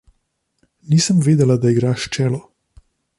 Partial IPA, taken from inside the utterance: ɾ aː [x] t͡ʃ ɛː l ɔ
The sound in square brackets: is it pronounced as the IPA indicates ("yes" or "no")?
no